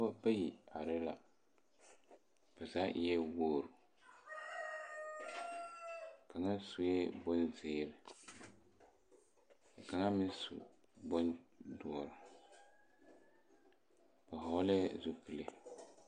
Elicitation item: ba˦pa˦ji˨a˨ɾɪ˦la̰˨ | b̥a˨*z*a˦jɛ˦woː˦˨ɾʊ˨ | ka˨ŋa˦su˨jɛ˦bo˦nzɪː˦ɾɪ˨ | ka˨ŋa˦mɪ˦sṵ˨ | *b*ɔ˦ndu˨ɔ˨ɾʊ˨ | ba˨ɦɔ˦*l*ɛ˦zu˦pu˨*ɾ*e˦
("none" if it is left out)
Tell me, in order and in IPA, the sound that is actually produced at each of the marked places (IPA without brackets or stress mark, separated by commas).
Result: z, b, l, l